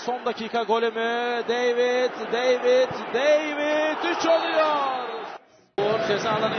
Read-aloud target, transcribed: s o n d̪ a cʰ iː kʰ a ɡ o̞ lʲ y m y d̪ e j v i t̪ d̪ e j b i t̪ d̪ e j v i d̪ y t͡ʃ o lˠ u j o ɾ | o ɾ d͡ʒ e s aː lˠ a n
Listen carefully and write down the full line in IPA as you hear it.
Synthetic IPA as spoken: s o n d̪ a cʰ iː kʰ a ɡ o̞ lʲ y m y d̪ e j v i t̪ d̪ e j v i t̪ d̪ e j v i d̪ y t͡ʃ o lˠ u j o ɾ | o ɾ d͡ʒ e z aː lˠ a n